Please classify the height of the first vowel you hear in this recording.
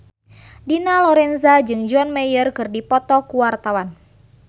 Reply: high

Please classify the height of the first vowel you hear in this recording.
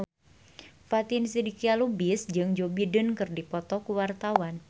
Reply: low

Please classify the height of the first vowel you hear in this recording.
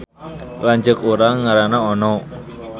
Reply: low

